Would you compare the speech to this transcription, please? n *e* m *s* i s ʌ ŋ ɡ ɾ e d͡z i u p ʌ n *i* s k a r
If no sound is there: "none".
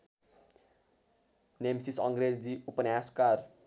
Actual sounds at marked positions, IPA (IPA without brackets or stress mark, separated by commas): e, s, a